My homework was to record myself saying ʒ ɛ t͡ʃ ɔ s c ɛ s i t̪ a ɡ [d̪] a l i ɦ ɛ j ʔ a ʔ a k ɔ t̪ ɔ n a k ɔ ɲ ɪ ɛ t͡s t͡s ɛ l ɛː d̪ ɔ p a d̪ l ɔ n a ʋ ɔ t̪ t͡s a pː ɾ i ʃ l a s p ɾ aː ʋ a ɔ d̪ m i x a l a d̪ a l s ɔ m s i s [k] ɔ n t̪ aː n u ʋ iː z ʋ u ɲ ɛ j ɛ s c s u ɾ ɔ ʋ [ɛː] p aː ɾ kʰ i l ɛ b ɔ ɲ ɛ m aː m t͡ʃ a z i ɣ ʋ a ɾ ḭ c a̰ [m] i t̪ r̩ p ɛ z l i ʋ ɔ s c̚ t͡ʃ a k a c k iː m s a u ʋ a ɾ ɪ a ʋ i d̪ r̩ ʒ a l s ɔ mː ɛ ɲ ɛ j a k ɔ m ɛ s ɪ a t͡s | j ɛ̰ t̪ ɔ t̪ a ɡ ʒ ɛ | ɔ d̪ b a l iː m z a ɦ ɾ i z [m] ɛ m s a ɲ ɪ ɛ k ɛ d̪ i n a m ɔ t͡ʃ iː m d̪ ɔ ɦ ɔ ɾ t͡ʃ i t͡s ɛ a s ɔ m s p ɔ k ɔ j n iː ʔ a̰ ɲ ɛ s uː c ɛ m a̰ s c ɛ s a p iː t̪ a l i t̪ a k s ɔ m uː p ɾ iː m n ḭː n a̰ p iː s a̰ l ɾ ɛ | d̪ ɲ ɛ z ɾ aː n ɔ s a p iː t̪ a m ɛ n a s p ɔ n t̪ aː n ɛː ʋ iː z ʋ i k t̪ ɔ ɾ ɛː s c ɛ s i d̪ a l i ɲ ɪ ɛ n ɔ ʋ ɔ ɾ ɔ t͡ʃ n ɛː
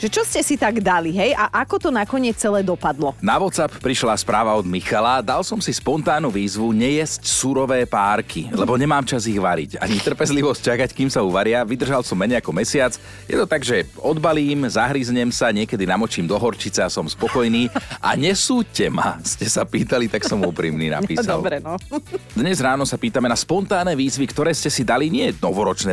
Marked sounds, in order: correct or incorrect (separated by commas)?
correct, incorrect, correct, incorrect, incorrect